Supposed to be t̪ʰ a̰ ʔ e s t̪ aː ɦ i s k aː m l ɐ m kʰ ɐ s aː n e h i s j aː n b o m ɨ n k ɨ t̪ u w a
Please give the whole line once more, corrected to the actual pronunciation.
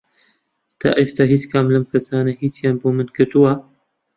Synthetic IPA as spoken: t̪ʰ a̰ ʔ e s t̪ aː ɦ i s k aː m l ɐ m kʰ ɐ s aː n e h i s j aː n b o m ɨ n k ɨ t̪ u w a